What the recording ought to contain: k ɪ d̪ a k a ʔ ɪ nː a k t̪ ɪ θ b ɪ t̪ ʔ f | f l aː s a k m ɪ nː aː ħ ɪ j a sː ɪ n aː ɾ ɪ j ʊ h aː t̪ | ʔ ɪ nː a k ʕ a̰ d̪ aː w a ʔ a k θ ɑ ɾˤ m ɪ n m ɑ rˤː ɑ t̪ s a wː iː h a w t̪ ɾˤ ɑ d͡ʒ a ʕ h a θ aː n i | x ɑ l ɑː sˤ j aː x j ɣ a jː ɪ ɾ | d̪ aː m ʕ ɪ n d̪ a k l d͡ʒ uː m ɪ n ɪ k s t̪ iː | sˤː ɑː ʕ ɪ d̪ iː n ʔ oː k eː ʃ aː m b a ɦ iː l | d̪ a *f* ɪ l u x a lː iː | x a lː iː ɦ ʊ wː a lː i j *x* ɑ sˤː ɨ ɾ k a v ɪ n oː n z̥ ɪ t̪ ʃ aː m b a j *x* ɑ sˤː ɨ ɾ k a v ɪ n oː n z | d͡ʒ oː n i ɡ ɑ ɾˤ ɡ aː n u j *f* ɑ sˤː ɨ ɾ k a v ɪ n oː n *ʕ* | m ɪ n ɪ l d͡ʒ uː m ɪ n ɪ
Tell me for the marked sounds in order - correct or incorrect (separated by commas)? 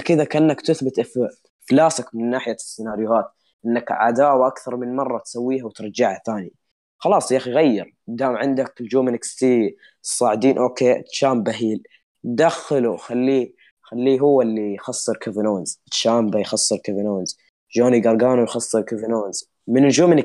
incorrect, correct, correct, incorrect, incorrect